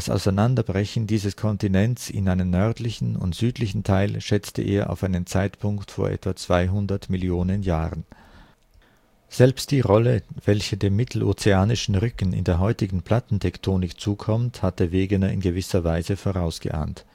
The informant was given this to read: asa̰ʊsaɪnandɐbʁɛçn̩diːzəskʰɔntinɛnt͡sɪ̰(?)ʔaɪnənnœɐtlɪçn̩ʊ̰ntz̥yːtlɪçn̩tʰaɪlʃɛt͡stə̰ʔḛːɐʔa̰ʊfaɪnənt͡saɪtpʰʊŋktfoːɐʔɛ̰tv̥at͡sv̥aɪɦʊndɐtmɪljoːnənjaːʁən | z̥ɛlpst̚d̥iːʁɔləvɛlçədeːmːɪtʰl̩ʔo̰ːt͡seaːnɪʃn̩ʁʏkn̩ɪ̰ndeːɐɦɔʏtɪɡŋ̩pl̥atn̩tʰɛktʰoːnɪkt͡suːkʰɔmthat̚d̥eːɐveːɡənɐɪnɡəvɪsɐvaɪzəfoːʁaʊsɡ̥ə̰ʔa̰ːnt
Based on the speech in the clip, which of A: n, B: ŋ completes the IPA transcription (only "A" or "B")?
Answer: A